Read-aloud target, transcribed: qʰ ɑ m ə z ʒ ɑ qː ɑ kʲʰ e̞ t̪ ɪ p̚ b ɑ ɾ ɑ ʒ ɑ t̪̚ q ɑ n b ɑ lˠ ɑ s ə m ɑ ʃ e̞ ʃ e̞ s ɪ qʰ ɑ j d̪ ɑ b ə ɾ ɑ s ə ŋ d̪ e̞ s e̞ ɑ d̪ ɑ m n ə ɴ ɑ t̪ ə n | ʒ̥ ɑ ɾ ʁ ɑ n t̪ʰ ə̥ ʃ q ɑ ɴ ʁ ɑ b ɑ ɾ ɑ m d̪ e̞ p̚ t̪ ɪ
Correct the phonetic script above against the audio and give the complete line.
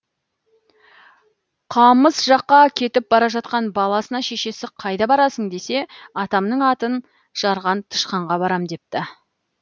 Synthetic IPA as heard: qʰ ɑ m ə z ʒ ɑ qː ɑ kʲʰ e̞ t̪ ɪ p̚ b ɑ ɾ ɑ ʒ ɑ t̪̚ q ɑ n b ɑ lˠ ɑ s ə n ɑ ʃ e̞ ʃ e̞ s ɪ qʰ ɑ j d̪ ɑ b ɑ ɾ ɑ s ə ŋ d̪ e̞ s e̞ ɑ t̪ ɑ m n ə ɴ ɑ t̪ ə n | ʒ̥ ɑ ɾ ʁ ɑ n t̪ʰ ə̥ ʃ q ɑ ɴ ʁ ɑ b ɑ ɾ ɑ m d̪ e̞ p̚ t̪ ɪ